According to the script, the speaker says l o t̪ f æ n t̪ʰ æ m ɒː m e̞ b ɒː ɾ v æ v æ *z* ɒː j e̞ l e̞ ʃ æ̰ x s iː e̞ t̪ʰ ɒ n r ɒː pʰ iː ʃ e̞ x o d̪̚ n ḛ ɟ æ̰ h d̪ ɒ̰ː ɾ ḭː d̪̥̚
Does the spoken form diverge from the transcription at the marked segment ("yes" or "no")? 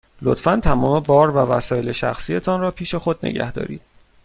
yes